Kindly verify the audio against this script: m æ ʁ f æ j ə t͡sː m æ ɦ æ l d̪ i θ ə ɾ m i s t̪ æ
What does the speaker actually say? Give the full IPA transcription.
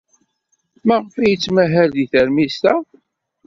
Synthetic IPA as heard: m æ ʁ f æ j ə t͡sː m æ ɦ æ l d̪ i θ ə ɾ m i s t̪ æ